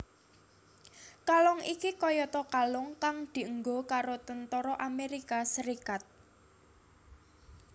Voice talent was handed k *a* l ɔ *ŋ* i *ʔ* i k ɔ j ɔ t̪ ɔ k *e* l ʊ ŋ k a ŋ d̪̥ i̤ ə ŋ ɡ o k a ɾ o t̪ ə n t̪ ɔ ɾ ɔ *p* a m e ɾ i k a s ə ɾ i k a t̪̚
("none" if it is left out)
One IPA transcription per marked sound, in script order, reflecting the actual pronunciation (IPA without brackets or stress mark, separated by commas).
a, ŋ, k, a, ʔ